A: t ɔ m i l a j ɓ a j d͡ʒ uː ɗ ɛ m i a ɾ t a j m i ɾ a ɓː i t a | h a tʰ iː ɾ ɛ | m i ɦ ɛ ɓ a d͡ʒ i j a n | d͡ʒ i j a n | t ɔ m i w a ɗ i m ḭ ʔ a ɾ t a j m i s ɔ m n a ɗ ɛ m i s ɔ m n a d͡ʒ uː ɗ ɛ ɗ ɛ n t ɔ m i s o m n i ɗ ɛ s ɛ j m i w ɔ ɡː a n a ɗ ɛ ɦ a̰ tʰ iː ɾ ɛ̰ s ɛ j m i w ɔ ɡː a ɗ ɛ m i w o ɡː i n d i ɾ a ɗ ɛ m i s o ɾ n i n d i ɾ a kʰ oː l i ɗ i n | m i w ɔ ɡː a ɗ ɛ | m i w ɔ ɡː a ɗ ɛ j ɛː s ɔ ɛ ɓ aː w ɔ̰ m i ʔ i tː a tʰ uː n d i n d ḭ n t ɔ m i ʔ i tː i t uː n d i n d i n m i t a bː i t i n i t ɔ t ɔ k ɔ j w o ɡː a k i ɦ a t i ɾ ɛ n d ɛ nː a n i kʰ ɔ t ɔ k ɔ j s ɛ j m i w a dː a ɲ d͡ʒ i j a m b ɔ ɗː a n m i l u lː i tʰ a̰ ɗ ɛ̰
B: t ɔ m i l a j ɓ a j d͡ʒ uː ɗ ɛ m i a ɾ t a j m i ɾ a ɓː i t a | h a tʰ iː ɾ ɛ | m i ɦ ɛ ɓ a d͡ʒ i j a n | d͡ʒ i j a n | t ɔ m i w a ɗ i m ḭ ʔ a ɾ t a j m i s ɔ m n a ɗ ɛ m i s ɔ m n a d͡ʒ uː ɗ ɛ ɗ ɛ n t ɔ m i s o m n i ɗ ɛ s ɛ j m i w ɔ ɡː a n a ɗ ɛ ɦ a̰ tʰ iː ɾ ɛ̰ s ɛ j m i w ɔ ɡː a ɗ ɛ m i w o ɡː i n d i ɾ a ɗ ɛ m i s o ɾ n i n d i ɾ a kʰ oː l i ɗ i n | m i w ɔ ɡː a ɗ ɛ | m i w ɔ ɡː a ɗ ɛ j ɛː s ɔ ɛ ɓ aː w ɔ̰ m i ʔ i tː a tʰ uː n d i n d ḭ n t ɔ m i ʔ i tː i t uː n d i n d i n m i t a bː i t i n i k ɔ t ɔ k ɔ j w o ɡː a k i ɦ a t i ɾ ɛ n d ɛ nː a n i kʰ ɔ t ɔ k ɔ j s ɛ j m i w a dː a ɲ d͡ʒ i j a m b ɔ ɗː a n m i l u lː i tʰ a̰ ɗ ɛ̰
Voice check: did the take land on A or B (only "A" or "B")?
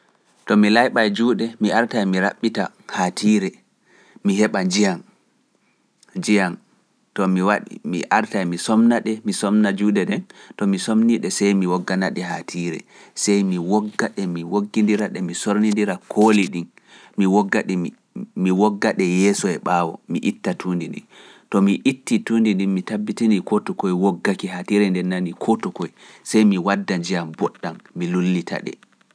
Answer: B